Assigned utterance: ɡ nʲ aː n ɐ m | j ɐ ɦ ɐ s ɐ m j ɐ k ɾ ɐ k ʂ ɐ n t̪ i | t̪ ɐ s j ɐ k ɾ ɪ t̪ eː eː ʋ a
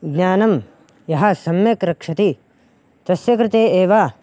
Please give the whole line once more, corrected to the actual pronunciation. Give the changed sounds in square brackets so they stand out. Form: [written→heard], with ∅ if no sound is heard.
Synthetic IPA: ɡ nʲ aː n ɐ m | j ɐ ɦ ɐ s ɐ m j ɐ k ɾ ɐ k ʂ ɐ [n→∅] t̪ i | t̪ ɐ s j ɐ k ɾ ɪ t̪ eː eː ʋ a